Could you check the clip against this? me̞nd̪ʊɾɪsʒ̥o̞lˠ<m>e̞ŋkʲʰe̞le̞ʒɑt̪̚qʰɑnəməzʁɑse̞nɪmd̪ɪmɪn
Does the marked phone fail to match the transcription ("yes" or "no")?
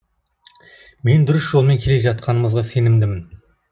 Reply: no